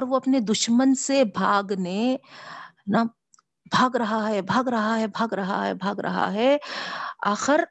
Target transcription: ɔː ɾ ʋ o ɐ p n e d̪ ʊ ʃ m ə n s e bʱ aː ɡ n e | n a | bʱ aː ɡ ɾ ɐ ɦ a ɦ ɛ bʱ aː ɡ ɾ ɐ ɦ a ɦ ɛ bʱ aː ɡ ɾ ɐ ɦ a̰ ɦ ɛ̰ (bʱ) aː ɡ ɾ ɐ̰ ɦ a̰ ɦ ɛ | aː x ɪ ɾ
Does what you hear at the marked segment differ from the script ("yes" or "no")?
no